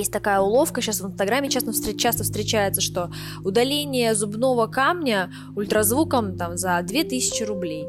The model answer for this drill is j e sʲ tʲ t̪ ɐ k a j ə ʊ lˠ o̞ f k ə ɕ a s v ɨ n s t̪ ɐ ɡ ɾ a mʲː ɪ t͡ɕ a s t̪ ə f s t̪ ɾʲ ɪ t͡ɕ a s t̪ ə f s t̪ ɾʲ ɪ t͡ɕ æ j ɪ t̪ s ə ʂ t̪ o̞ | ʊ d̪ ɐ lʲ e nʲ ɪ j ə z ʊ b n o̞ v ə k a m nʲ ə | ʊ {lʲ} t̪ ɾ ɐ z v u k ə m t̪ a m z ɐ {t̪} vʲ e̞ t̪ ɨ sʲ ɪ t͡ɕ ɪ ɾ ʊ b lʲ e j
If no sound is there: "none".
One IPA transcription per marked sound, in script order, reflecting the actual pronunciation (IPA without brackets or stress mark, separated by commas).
lʲ, d̪